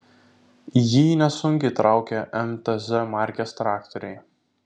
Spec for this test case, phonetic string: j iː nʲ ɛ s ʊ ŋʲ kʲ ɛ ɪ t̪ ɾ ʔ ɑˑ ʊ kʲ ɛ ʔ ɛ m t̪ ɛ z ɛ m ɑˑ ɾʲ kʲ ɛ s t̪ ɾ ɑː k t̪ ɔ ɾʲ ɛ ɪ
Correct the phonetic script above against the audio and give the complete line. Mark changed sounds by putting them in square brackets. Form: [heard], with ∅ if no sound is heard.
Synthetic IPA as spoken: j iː nʲ ɛ s ʊ ŋʲ kʲ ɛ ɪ t̪ ɾ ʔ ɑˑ ʊ kʲ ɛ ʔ ɛ m t̪ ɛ z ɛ m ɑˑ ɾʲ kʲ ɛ s t̪ ɾ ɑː k t̪ ɔ ɾʲ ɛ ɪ